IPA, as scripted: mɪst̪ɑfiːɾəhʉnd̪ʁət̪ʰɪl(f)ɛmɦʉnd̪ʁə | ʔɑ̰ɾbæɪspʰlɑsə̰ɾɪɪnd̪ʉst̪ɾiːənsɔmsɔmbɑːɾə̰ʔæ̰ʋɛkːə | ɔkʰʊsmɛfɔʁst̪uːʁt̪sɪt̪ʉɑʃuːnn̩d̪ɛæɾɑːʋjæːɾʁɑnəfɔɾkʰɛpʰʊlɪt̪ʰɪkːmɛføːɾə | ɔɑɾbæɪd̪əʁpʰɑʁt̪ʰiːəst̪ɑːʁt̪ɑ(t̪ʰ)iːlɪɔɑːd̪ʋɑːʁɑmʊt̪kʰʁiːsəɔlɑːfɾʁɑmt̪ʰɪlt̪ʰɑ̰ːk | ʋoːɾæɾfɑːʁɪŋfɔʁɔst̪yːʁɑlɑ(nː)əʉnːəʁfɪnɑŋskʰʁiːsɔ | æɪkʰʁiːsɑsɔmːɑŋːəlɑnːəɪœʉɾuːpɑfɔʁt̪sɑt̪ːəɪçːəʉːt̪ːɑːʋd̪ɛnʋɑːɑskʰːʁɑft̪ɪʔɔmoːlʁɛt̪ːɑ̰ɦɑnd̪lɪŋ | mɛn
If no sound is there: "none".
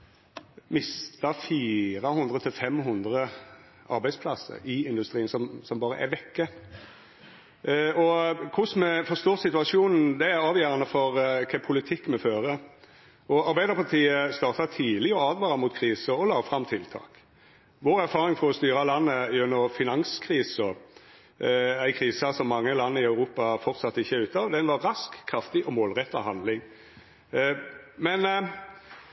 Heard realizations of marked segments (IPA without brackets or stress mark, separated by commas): f, t̪ʰ, nː